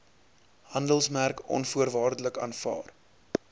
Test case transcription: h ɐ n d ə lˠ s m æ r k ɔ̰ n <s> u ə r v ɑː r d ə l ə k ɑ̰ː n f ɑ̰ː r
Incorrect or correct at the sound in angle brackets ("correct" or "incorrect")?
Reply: incorrect